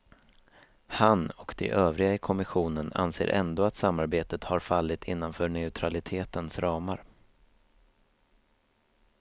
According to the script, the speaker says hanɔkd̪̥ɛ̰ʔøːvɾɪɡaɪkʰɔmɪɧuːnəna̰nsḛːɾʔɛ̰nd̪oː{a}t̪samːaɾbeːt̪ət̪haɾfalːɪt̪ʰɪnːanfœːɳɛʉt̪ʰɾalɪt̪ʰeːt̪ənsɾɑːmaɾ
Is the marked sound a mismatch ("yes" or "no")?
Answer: no